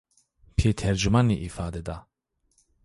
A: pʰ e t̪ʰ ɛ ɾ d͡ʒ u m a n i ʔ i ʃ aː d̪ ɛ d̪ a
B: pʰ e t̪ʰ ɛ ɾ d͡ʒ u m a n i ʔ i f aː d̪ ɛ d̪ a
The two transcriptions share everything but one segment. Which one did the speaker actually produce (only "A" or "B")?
B